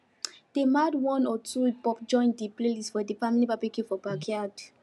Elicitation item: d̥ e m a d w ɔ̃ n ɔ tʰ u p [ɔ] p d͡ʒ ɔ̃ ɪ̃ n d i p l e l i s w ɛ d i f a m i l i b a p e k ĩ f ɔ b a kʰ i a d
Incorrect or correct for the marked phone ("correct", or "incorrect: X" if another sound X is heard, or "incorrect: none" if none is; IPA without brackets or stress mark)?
correct